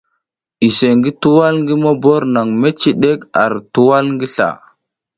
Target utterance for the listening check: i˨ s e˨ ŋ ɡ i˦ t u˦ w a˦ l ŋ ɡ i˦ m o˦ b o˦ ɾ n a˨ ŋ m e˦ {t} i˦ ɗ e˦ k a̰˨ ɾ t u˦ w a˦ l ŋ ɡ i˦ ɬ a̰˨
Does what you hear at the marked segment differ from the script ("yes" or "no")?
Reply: yes